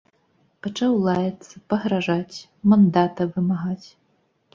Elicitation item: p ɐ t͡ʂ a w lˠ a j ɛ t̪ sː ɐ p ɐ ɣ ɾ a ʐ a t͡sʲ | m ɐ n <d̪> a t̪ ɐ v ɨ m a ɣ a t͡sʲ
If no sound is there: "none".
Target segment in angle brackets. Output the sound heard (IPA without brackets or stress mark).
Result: d̪